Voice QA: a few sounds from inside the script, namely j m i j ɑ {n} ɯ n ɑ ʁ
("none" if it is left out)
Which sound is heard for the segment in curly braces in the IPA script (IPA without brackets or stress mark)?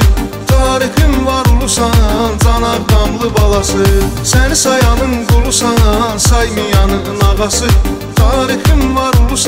n